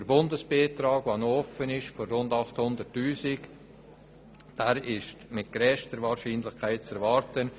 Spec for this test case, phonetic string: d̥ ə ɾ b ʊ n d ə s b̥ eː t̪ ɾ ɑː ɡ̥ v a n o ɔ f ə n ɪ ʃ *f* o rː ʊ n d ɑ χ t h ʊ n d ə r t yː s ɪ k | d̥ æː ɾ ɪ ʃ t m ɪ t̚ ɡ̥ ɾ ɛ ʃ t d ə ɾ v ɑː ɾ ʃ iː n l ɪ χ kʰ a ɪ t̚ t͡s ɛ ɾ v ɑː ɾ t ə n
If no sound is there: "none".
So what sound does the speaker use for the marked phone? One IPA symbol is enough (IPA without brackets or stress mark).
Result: f